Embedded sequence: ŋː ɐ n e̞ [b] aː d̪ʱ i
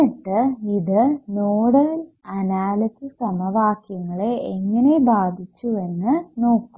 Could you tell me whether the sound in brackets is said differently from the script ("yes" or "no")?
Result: no